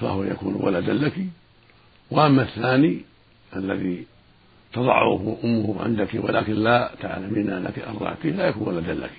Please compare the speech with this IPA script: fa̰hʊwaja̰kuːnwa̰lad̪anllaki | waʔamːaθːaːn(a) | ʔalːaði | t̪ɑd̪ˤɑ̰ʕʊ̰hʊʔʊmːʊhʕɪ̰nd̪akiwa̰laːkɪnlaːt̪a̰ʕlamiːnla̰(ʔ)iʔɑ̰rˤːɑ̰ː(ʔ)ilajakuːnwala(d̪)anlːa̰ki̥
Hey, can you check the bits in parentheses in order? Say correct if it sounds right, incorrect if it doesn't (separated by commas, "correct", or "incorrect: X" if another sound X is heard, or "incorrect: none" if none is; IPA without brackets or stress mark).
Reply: incorrect: i, incorrect: k, incorrect: k, correct